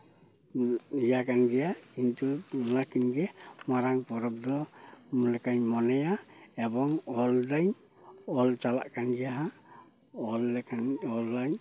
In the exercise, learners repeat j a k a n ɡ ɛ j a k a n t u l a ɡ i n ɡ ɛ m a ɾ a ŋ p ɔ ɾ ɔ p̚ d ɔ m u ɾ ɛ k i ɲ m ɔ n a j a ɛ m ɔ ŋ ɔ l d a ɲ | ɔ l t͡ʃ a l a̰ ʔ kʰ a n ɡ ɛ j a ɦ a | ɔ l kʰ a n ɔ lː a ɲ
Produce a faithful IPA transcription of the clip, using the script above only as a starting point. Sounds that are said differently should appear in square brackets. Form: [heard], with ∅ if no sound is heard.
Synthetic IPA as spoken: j a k a n ɡ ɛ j a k [i] n t u l a [k] i n ɡ ɛ m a ɾ a ŋ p ɔ ɾ ɔ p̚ d ɔ m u [l] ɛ k [a] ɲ m ɔ n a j a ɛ [b] ɔ ŋ ɔ l d a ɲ | ɔ l t͡ʃ a l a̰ ʔ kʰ a n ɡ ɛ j a ɦ a | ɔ l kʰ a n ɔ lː a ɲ